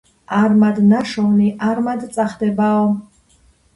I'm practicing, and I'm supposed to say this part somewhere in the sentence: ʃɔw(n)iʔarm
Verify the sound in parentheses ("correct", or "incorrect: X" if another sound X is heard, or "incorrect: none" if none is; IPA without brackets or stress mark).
correct